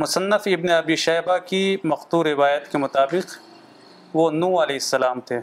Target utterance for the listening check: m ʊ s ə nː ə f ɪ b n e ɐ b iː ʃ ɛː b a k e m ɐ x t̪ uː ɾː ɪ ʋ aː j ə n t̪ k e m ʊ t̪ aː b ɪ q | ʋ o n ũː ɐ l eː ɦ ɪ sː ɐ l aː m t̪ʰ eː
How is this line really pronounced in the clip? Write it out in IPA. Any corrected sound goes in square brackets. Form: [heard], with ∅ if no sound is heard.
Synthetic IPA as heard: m ʊ s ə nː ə f ɪ b n e ɐ b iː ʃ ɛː b a k [i] m ɐ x t̪ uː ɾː ɪ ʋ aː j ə [∅] t̪ k e m ʊ t̪ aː b ɪ q | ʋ o n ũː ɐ l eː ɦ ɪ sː ɐ l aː m t̪ʰ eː